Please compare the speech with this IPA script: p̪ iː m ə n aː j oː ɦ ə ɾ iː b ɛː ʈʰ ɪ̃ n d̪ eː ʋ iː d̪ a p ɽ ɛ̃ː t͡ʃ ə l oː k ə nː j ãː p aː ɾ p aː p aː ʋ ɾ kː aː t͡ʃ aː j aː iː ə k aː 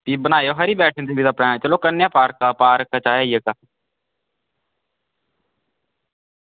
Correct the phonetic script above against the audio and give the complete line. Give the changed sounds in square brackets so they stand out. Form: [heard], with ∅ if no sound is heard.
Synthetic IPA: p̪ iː [b] ə n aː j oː ɦ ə ɾ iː b ɛː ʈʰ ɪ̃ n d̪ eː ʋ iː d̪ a p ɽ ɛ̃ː t͡ʃ ə l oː k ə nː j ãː p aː ɾ [k] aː p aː [∅] ɾ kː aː t͡ʃ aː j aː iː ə k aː